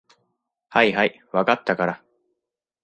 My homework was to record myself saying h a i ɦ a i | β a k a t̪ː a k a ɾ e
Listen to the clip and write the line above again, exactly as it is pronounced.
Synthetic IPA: h a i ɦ a i | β a k a t̪ː a k a ɾ a

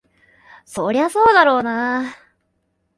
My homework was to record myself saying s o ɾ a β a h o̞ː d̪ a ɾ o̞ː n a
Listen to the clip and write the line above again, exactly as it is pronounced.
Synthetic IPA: s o ɾ e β a s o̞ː d̪ a ɾ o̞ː n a

